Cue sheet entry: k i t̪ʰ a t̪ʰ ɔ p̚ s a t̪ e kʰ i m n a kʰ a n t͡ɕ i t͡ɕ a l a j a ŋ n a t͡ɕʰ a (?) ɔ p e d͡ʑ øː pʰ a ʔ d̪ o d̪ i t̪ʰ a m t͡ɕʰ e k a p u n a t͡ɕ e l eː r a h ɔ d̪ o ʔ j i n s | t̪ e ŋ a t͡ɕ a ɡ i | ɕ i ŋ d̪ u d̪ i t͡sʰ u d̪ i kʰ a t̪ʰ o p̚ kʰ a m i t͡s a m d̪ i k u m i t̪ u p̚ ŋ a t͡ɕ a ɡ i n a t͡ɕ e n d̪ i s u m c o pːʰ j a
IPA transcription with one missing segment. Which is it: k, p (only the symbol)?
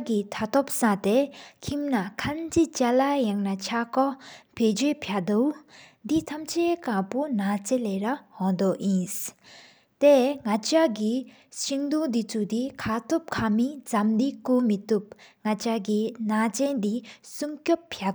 k